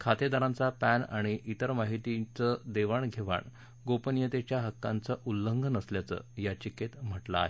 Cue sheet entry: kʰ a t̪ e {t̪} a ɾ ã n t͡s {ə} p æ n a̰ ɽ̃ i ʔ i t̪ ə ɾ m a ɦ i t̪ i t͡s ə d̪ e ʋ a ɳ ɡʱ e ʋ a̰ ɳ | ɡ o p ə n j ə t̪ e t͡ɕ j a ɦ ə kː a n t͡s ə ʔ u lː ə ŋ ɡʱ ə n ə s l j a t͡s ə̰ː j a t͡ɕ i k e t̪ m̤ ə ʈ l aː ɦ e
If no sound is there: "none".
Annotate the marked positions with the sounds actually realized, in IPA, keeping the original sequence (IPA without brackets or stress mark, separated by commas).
d̪, a